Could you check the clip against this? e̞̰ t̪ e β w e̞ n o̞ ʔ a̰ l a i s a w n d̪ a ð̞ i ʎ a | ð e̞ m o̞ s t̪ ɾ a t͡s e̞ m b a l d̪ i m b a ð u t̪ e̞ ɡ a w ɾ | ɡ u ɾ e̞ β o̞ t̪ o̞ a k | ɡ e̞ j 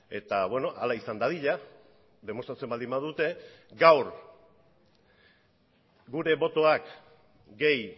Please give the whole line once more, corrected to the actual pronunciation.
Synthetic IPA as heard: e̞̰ t̪ a β w e̞ n o̞ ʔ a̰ l a i s a n d̪ a ð̞ i ʎ a | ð e̞ m o̞ s t̪ ɾ a t͡s e̞ m b a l d̪ i m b a ð u t̪ e̞ ɡ a w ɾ | ɡ u ɾ e̞ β o̞ t̪ o̞ a k | ɡ e̞ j